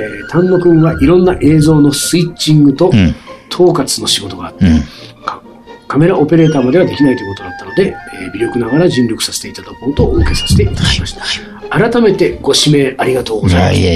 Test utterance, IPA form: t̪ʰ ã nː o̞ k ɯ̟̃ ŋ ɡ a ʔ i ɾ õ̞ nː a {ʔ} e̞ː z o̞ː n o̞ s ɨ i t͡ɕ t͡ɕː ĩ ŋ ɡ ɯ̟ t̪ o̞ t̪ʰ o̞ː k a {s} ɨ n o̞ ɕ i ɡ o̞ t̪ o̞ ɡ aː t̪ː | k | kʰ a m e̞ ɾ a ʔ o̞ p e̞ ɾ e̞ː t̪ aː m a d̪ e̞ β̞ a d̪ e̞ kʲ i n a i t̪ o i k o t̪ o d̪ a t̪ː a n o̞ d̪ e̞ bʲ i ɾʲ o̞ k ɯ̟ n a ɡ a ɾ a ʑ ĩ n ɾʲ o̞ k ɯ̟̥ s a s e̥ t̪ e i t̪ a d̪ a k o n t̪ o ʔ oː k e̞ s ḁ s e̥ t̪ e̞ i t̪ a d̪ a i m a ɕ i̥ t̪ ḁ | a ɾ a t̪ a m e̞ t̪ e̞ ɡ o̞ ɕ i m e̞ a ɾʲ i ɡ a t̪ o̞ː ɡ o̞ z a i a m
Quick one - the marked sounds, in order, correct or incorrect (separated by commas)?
correct, incorrect